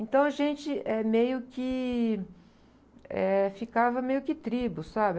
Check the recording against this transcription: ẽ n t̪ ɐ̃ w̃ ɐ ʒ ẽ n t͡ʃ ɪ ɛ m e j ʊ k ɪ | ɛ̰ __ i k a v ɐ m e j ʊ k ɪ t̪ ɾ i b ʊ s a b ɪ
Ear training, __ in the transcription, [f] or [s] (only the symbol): f